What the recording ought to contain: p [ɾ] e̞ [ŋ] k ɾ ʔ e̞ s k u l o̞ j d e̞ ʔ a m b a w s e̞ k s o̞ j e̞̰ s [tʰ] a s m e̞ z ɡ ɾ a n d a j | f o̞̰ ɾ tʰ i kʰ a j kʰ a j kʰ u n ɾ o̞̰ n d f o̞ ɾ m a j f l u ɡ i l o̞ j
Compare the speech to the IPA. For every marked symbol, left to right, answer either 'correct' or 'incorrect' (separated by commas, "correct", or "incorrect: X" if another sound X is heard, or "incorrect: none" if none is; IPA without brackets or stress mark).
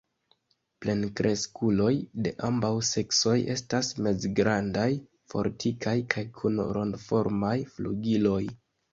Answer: incorrect: l, incorrect: n, incorrect: t